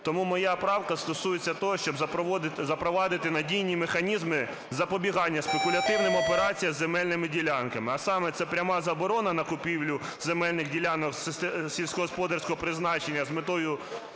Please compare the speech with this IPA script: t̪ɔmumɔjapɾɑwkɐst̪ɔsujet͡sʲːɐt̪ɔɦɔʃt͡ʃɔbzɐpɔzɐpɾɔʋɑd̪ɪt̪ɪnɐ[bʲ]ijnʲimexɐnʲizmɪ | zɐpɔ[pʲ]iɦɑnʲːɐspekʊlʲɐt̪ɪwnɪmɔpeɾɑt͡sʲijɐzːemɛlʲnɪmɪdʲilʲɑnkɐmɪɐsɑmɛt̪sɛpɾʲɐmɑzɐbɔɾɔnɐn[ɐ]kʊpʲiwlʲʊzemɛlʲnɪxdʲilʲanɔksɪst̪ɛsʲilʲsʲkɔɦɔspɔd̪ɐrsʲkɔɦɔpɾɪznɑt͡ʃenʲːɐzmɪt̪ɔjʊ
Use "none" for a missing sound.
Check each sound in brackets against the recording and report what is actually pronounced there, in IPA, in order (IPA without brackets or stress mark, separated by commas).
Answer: dʲ, bʲ, ɐ